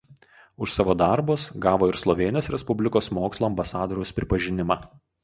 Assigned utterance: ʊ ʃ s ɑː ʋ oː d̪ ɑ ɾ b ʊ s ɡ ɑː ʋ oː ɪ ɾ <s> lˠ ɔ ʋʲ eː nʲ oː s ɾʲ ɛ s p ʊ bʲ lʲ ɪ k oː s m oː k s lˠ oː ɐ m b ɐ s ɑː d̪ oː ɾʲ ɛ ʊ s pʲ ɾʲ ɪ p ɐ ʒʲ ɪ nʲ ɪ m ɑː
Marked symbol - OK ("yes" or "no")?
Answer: yes